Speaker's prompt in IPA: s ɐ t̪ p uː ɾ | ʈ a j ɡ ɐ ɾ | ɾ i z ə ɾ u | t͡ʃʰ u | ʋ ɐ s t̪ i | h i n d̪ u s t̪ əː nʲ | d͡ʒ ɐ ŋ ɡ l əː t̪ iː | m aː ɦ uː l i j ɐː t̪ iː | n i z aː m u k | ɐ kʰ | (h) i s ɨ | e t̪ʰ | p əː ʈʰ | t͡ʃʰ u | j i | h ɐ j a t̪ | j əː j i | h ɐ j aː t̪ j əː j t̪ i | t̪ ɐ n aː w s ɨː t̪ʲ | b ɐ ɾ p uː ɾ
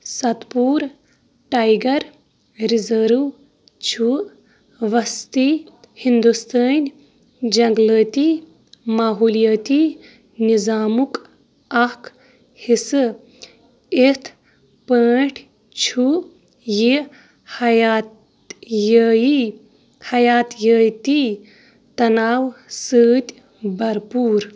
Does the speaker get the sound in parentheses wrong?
no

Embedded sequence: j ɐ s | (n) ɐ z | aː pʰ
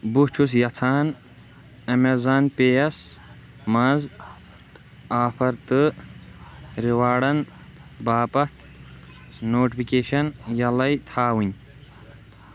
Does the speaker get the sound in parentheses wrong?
yes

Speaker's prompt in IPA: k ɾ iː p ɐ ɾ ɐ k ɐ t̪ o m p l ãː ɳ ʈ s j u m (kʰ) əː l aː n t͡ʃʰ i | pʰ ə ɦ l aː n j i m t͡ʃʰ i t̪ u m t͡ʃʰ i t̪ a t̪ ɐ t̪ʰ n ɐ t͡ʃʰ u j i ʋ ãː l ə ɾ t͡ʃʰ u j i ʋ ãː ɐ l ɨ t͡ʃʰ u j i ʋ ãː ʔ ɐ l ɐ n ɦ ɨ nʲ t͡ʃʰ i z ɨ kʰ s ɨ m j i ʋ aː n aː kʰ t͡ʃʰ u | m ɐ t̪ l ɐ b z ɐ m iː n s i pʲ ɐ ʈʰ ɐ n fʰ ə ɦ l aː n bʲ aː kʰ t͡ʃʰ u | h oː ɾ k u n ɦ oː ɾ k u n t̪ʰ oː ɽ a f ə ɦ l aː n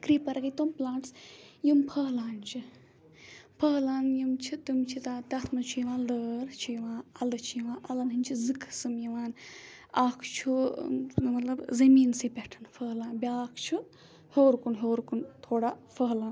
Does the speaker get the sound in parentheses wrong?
yes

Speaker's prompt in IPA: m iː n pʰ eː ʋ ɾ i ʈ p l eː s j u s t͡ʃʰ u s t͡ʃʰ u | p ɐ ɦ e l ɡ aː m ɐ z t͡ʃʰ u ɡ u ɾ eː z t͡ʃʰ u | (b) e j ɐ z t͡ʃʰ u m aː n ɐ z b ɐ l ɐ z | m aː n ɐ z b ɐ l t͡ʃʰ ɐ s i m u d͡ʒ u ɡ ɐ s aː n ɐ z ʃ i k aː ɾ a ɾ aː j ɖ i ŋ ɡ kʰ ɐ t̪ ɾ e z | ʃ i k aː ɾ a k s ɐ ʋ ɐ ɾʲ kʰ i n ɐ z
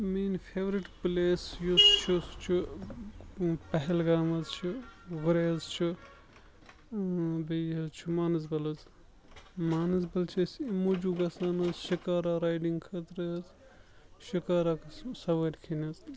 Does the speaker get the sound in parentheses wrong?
no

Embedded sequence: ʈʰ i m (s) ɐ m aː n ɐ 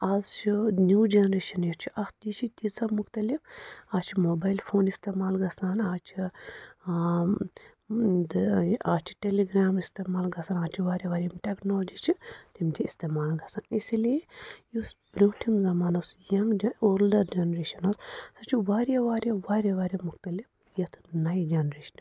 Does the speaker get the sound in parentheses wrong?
yes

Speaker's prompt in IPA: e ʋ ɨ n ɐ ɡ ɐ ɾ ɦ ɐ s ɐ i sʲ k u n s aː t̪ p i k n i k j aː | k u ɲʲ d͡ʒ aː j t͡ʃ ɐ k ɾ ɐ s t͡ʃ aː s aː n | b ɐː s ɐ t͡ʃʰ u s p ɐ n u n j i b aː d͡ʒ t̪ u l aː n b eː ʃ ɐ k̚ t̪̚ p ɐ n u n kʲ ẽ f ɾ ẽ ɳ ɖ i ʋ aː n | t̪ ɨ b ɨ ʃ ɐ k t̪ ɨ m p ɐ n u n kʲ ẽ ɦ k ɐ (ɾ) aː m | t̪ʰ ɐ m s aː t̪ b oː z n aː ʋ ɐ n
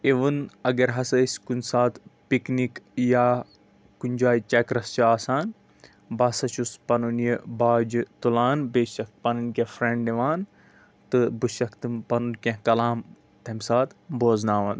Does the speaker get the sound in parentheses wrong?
yes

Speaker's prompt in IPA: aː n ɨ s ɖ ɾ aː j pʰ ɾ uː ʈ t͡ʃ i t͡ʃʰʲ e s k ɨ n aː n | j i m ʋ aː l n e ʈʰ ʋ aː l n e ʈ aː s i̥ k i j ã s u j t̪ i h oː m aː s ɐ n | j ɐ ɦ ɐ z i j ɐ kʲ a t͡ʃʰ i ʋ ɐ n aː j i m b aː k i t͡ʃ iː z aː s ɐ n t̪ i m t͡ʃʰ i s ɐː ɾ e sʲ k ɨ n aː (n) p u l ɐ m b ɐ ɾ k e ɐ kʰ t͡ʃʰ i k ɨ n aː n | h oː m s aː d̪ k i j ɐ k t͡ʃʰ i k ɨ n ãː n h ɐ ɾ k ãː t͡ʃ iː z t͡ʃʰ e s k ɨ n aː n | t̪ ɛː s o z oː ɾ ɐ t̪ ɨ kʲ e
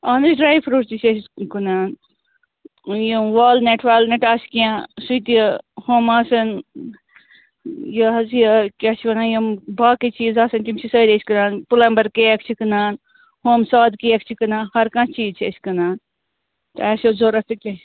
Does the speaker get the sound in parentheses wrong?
no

